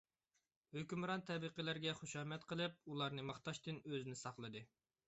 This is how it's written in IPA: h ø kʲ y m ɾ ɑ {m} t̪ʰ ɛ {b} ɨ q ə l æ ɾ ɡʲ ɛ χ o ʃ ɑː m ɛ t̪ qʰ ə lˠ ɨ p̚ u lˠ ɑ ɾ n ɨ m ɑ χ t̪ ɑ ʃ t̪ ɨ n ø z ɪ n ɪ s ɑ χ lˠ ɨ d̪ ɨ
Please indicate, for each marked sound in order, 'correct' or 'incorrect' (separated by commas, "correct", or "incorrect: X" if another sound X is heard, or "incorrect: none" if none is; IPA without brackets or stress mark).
incorrect: n, correct